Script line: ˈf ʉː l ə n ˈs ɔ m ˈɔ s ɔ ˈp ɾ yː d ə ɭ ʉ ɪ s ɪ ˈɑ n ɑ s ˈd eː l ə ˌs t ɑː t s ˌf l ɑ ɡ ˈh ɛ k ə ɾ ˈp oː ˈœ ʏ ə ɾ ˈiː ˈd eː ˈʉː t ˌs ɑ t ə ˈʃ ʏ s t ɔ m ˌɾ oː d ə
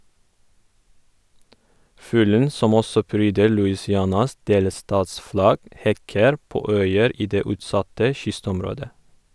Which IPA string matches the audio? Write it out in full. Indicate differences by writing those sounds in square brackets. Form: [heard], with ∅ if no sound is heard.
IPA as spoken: ˈf ʉː l ə n ˈs ɔ m ˈɔ s ɔ ˈp ɾ yː d ə ɭ ʉ ɪ s ɪ ˈɑ n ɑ s ˈd eː l ə ˌs t ɑː t s ˌf l ɑ ɡ ˈh ɛ k ə ɾ ˈp oː ˈœ ʏ ə ɾ ˈiː ˈd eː ˈʉː t ˌs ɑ t ə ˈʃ ʏ s t ɔ m ˌɾ oː d ə